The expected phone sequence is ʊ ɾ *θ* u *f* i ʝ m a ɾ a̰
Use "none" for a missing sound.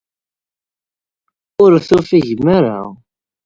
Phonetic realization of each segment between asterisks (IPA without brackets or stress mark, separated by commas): θ, f